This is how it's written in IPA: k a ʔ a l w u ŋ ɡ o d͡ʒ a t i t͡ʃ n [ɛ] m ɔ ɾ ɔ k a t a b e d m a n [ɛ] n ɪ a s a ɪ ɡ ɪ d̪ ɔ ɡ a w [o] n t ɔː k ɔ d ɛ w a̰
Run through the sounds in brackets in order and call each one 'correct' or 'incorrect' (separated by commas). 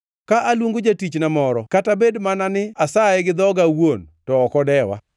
incorrect, incorrect, correct